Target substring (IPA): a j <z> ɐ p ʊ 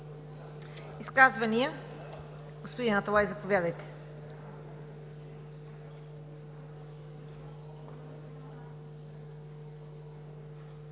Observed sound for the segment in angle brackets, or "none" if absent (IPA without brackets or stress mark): z